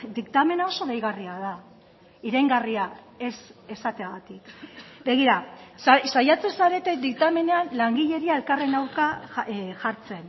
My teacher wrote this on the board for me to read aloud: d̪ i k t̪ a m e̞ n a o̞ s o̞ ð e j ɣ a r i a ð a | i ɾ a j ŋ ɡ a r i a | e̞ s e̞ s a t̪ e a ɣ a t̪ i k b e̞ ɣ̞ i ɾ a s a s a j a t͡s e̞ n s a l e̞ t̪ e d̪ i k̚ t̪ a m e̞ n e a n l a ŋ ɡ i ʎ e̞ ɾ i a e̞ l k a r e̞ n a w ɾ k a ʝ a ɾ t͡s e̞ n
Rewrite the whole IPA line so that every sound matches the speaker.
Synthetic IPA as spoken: d̪ i k t̪ a m e̞ n a o̞ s o̞ ð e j ɣ a r i a ð a | i ɾ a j ŋ ɡ a r i a | e̞ s e̞ s a t̪ e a ɣ a t̪ i k b e̞ ɣ̞ i ɾ a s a s a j a t͡s e̞ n s a ɾ e̞ t̪ e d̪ i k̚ t̪ a m e̞ n e a n l a ŋ ɡ i ʎ e̞ ɾ i a e̞ l k a r e̞ n a w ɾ k a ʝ a ɾ t͡s e̞ n